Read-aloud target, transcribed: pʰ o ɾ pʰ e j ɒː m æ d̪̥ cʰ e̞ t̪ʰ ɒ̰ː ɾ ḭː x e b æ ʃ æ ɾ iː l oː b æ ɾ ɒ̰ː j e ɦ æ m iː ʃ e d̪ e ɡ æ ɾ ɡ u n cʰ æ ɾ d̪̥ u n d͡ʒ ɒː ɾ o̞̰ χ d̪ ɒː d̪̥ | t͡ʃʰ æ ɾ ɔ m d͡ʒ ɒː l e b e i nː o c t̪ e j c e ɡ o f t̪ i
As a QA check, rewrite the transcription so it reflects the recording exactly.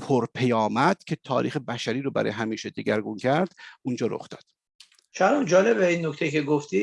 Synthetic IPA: pʰ o ɾ pʰ e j ɒː m æ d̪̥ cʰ e̞ t̪ʰ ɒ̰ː ɾ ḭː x e b æ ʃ æ ɾ iː ɾ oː b æ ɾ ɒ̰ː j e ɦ æ m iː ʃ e d̪ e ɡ æ ɾ ɡ u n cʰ æ ɾ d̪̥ u n d͡ʒ ɒː ɾ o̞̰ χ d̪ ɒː d̪̥ | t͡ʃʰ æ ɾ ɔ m d͡ʒ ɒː l e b e i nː o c t̪ e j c e ɡ o f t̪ i